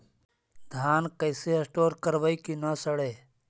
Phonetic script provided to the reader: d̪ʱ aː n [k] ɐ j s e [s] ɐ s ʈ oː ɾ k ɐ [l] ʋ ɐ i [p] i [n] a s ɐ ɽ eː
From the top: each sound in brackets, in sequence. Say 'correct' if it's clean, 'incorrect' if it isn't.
correct, incorrect, incorrect, incorrect, correct

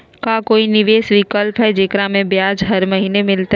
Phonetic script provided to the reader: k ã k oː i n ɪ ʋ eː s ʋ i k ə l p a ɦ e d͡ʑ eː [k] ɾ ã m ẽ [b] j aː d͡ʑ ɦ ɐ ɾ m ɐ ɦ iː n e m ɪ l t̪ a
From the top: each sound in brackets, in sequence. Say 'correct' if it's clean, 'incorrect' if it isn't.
correct, correct

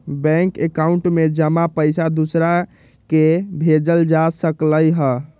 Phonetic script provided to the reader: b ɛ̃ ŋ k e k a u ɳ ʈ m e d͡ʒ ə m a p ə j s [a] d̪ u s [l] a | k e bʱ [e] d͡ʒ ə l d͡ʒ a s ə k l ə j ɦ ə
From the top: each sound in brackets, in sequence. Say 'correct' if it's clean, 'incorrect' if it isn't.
correct, incorrect, correct

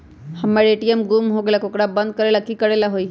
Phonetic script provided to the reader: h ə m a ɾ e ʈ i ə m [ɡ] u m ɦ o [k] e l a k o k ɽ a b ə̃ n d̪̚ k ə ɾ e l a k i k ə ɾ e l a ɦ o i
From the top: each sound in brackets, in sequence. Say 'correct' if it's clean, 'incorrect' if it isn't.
correct, incorrect

